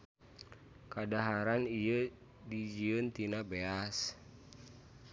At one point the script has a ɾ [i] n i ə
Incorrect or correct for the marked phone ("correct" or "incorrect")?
incorrect